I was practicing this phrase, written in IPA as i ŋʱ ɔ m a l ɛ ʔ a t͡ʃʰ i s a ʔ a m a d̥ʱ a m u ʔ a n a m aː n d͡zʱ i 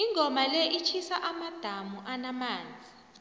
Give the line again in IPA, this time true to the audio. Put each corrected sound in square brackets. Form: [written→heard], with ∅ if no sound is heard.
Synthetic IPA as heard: i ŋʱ ɔ m a l ɛ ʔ [a→i] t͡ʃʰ i s a ʔ a m a d̥ʱ a m u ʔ a n a m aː n d͡zʱ i